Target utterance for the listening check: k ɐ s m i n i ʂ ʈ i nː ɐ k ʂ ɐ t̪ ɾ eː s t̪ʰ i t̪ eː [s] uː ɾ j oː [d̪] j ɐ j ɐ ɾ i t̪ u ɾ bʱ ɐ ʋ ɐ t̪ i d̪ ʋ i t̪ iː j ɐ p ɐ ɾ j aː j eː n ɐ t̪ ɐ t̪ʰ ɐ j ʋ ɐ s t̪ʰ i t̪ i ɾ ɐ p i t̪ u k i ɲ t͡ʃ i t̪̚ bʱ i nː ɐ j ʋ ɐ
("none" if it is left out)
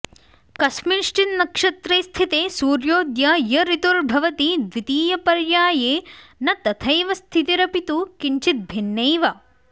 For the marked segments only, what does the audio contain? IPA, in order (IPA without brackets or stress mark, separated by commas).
s, d̪